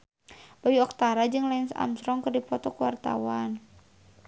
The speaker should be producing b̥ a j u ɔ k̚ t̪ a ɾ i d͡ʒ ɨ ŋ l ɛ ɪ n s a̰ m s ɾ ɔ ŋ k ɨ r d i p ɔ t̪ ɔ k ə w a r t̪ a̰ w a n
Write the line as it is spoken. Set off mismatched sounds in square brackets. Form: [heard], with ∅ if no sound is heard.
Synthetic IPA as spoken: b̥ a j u ɔ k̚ t̪ a ɾ [a] d͡ʒ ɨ ŋ l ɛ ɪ n s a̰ m s ɾ ɔ ŋ k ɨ r d i p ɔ t̪ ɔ k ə w a r t̪ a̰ w a n